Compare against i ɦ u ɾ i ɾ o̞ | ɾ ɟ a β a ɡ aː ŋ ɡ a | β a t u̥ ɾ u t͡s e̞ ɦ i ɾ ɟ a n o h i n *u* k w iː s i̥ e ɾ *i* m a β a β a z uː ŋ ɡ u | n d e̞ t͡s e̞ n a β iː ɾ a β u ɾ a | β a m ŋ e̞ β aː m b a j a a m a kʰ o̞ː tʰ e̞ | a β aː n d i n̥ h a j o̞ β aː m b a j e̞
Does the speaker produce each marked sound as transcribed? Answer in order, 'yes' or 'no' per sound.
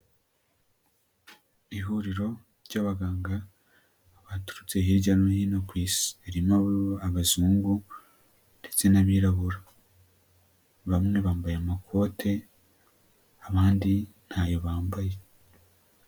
no, yes

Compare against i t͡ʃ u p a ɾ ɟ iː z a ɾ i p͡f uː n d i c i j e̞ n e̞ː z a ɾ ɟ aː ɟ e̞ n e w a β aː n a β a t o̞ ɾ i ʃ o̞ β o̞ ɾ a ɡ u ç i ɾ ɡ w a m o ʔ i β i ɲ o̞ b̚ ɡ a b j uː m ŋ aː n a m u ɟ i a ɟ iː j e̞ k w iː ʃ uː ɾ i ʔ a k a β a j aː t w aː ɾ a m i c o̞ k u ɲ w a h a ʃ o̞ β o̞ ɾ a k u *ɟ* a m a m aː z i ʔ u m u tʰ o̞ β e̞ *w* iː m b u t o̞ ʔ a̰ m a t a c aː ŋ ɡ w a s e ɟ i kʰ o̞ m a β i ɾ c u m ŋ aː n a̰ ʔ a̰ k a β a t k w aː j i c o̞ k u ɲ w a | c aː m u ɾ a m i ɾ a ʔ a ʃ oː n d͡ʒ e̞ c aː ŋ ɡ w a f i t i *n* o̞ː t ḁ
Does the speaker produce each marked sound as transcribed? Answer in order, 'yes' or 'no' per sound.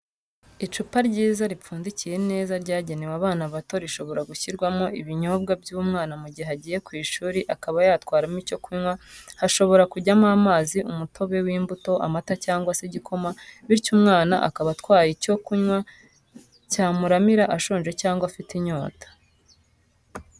yes, yes, no

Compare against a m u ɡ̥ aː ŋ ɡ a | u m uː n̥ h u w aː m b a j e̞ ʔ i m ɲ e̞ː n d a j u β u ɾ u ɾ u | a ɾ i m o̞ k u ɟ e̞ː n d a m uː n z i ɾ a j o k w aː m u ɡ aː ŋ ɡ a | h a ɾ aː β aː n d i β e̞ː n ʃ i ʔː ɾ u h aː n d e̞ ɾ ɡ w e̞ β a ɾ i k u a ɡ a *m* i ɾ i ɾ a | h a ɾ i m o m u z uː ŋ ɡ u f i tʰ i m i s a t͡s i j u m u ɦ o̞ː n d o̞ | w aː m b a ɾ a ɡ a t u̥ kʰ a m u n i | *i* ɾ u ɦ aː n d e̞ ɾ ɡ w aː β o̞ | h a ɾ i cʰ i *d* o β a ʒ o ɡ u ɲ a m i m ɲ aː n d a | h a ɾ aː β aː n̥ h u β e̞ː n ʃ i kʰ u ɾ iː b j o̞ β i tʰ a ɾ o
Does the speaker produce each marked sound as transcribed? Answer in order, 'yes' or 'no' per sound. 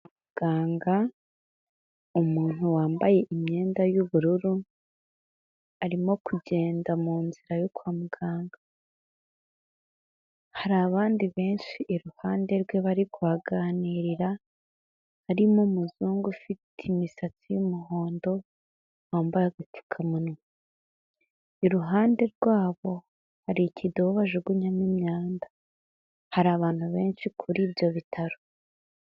no, yes, yes

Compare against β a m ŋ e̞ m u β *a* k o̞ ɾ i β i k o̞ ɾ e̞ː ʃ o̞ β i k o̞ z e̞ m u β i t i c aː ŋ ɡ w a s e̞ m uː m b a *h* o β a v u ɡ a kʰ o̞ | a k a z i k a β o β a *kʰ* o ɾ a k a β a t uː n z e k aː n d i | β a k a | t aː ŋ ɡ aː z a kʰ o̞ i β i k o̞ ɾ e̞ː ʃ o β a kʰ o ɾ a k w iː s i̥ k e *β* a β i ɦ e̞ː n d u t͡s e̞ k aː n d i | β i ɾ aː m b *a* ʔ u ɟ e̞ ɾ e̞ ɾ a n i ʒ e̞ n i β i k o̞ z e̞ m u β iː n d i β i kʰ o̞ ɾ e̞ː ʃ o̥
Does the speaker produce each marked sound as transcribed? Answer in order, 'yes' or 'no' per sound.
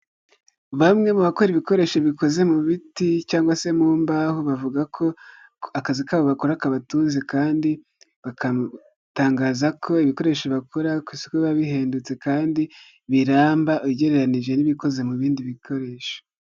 yes, yes, no, yes, yes

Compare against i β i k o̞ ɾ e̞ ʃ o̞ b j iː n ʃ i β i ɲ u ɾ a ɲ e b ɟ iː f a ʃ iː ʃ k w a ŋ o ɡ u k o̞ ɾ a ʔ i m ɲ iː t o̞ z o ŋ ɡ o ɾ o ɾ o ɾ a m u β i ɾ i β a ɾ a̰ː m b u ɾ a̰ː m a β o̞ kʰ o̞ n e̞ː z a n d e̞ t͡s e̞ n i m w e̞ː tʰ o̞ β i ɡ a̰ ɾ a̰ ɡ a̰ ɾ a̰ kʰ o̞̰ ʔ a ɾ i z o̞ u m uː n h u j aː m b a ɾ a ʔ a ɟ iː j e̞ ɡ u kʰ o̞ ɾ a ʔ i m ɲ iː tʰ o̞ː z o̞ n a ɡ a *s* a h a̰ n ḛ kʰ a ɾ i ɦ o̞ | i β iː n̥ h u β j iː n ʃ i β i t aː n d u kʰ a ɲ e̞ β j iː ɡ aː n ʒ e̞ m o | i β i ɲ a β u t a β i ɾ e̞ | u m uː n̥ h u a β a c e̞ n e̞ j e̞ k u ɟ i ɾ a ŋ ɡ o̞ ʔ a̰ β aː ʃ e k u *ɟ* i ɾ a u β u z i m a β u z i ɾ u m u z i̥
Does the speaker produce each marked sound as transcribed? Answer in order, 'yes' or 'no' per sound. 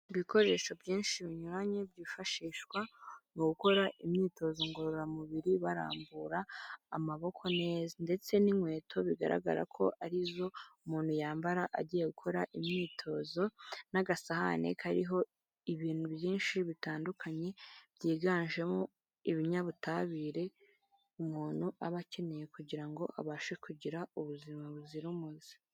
yes, yes

